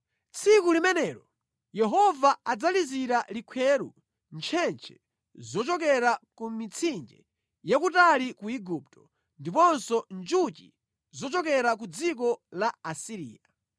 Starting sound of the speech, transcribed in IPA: t͡sʰ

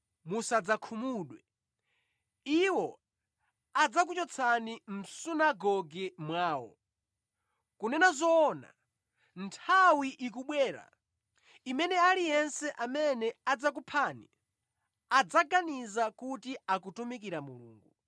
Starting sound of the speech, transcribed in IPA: m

